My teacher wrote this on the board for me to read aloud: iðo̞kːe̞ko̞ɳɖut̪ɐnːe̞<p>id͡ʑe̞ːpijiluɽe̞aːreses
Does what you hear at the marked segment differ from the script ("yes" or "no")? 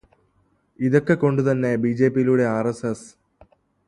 yes